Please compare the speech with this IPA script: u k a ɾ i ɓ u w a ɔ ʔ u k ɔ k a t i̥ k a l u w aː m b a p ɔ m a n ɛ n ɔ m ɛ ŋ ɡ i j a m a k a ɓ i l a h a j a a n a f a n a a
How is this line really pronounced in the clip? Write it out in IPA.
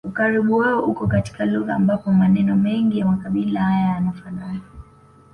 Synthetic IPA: u k a ɾ i ɓ u w a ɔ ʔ u k ɔ k a t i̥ k a l u ɣ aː m b a p ɔ m a n ɛ n ɔ m ɛ ŋ ɡ i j a m a k a ɓ i l a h a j a a n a f a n a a